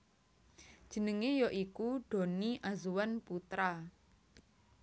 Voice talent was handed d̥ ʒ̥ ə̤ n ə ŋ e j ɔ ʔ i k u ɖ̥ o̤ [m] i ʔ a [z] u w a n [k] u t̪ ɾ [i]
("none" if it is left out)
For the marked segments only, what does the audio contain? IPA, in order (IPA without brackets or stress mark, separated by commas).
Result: n, z, p, a